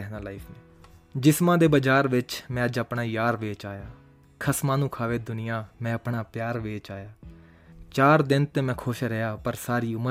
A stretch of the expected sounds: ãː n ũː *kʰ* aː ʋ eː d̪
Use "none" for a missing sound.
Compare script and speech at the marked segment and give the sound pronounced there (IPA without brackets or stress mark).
kʰ